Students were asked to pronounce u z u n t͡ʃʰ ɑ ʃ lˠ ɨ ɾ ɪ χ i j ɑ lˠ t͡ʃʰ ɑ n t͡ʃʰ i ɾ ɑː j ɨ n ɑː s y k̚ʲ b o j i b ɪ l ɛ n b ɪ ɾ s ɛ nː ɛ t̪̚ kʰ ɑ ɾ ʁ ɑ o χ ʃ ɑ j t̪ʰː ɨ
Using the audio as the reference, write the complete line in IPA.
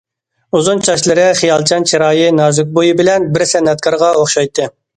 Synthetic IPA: u z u n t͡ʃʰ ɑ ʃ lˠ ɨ ɾ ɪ χ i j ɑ lˠ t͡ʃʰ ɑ n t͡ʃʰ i ɾ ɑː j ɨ n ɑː z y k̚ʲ b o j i b ɪ l ɛ n b ɪ ɾ s ɛ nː ɛ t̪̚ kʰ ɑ ɾ ʁ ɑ o χ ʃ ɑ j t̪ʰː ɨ

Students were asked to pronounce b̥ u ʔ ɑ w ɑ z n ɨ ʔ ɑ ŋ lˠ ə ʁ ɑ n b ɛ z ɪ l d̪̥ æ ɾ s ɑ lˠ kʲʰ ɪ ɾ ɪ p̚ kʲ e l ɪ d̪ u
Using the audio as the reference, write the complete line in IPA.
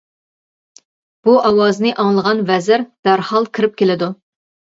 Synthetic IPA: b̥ u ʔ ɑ w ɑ z n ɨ ʔ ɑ ŋ lˠ ə ʁ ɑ n v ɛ z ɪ ɾ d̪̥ æ ɾ h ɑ lˠ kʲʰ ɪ ɾ ɪ p̚ kʲ e l ɪ d̪ u

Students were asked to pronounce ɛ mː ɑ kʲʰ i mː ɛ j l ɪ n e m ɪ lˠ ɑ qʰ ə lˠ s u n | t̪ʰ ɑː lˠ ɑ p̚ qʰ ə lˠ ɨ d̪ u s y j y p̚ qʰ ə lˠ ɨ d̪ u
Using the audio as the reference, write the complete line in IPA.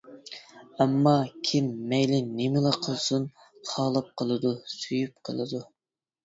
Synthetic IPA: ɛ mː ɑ kʲʰ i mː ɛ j l ɪ n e m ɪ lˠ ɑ qʰ ə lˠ s u n | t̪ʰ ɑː lˠ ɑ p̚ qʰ ə lˠ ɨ d̪ u s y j y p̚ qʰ ə lˠ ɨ d̪ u

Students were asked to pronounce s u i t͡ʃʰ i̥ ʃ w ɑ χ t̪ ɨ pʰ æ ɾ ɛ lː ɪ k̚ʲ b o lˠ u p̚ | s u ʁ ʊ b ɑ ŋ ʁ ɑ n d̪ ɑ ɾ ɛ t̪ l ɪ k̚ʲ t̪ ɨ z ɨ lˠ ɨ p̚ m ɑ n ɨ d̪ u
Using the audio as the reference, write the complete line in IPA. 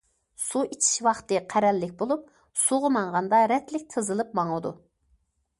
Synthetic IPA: s u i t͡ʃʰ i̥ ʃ w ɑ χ t̪ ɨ qʰ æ ɾ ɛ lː ɪ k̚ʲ b o lˠ u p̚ | s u ʁ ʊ m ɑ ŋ ʁ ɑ n d̪ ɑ ɾ ɛ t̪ l ɪ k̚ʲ t̪ʰ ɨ z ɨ lˠ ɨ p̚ m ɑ ŋ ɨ d̪ u

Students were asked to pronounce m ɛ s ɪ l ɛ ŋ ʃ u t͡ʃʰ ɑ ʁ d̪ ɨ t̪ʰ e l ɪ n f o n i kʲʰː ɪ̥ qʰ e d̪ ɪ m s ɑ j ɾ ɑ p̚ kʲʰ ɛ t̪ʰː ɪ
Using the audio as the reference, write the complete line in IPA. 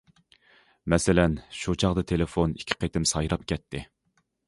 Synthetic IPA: m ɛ s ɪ l ɛ n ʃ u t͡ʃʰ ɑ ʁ d̪ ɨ t̪ʰ e l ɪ f o n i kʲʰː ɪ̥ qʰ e t̪ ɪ m s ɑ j ɾ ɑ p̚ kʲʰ ɛ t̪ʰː ɪ

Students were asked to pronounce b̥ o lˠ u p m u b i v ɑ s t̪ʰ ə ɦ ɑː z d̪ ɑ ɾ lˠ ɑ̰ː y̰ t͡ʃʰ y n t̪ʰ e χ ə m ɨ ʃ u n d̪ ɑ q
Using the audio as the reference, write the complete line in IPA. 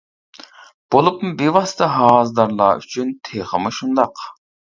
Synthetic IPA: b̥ o lˠ u p m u b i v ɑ s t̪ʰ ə ɦ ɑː z d̪ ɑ ɾ lˠ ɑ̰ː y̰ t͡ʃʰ y n t̪ʰ e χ ə m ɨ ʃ u n d̪ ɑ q

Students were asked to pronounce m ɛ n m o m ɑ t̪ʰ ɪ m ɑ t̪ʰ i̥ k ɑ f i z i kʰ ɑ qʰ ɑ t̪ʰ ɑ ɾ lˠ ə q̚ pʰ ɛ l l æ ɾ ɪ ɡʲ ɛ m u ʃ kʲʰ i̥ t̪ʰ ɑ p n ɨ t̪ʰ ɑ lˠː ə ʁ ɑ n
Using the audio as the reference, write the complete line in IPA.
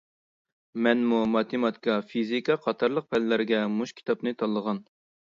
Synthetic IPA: m ɛ n m u m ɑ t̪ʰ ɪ m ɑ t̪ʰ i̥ k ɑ f i z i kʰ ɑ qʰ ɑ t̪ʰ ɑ ɾ lˠ ə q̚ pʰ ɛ l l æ ɾ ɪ ɡʲ ɛ m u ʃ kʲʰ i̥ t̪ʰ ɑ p n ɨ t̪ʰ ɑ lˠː ə ʁ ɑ n

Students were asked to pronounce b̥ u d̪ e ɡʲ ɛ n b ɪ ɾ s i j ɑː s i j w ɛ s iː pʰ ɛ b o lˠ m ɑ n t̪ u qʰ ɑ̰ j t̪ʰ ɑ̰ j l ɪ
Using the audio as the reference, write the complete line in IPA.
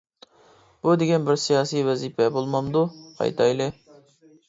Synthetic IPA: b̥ u d̪ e ɡʲ ɛ n b ɪ ɾ s i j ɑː s i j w ɛ z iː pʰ ɛ b o lˠ m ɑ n d̪ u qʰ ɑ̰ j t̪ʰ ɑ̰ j l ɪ

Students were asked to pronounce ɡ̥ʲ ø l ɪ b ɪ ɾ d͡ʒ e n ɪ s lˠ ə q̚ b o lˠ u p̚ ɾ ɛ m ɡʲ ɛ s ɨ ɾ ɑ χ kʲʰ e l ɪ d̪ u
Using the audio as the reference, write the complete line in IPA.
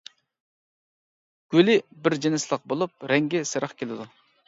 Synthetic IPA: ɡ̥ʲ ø l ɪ b ɪ ɾ d͡ʒ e n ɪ s lˠ ə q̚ b o lˠ u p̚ ɾ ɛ ŋ ɡʲ ɛ s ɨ ɾ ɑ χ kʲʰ e l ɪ d̪ u

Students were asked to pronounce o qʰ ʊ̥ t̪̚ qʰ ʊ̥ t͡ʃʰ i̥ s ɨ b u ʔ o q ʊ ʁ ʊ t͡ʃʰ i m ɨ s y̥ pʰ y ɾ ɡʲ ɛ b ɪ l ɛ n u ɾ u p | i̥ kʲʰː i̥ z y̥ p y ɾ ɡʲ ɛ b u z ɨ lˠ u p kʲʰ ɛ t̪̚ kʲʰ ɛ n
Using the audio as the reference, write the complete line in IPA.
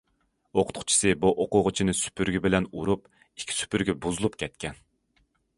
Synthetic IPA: o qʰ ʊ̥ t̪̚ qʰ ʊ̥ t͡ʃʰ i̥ s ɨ b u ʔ o q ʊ ʁ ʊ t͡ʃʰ i n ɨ s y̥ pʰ y ɾ ɡʲ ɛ b ɪ l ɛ n u ɾ u p | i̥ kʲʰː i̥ s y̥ p y ɾ ɡʲ ɛ b u z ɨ lˠ u p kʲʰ ɛ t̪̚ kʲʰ ɛ n

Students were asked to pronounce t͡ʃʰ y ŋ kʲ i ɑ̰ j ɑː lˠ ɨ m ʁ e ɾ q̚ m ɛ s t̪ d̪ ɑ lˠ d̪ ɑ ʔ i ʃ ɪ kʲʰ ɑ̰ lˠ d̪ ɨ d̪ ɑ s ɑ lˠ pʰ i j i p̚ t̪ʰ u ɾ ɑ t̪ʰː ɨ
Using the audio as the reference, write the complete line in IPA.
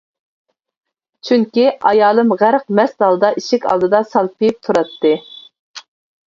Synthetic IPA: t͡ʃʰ y ŋ kʲ i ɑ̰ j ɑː lˠ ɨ m ʁ æ ɾ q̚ m ɛ s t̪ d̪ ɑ lˠ d̪ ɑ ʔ i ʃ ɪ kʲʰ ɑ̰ lˠ d̪ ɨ d̪ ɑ s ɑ lˠ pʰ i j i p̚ t̪ʰ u ɾ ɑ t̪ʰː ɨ

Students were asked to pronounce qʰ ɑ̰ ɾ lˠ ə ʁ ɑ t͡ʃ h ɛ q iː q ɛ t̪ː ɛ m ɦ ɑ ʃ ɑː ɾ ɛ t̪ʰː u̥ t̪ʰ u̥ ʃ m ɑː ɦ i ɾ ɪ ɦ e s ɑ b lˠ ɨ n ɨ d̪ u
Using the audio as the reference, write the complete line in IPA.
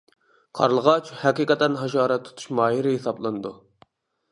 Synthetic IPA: qʰ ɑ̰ ɾ lˠ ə ʁ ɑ t͡ʃ h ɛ q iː q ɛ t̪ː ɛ n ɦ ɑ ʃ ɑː ɾ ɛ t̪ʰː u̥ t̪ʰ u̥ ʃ m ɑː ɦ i ɾ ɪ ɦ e s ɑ b lˠ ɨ n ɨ d̪ u

